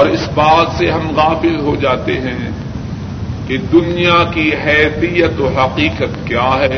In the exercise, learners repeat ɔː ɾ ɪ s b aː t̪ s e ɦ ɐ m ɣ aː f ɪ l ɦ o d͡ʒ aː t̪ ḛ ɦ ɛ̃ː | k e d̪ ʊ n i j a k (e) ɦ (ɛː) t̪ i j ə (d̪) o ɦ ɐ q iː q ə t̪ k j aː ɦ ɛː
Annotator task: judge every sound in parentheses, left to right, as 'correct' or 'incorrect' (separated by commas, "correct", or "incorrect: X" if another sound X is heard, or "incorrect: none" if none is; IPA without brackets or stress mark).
incorrect: i, correct, incorrect: t̪